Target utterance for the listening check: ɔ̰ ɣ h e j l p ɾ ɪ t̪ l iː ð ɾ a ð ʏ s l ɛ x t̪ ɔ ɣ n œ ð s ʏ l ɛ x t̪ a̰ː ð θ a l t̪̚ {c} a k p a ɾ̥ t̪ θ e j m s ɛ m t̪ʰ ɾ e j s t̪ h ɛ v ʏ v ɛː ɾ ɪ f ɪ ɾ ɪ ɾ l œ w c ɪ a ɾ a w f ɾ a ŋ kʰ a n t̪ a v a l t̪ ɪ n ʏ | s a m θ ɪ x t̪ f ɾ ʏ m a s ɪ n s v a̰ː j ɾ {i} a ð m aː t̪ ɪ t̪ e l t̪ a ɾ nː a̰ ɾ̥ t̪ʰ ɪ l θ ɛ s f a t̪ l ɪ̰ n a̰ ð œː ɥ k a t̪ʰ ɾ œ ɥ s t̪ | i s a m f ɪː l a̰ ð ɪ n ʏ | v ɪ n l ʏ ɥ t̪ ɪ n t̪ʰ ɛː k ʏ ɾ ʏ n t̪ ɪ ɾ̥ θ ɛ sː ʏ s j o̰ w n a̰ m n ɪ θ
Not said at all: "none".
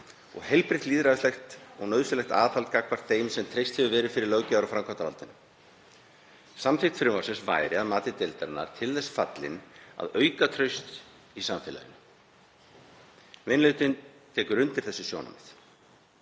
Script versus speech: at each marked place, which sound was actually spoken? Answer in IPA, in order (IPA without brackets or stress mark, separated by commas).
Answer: k, ɪ